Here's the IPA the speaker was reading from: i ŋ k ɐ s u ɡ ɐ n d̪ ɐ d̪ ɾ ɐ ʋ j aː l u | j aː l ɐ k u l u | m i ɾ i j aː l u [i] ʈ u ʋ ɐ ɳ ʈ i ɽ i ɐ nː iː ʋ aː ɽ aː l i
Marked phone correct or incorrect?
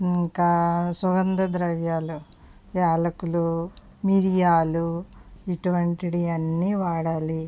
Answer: correct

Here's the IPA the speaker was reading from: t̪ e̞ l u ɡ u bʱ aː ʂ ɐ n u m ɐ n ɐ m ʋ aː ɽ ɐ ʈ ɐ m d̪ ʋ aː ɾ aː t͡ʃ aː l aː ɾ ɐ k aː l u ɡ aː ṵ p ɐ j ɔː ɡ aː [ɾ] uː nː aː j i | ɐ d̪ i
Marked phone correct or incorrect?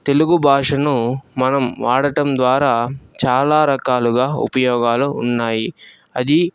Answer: incorrect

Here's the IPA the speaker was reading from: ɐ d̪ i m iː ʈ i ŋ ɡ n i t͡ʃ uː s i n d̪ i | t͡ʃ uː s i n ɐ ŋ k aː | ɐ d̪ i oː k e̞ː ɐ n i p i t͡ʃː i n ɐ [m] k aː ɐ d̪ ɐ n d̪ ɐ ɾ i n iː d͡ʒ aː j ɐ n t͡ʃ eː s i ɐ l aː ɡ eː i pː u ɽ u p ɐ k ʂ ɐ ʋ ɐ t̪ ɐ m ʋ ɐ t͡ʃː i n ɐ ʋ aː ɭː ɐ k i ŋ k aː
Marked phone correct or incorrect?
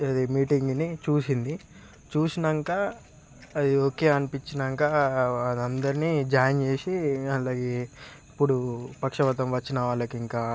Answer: incorrect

